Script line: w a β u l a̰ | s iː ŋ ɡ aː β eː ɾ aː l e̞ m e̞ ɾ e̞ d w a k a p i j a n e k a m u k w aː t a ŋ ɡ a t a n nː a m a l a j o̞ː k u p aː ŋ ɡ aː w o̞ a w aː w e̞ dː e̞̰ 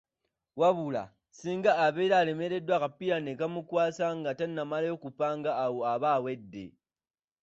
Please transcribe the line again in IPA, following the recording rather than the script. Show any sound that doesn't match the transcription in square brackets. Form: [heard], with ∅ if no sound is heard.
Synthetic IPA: w a β u l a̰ | s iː ŋ ɡ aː β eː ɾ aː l e̞ m e̞ ɾ e̞ d w a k a p i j a n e k a m u k w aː [s] a ŋ ɡ a t a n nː a m a l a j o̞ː k u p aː ŋ ɡ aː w o̞ a [β] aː w e̞ dː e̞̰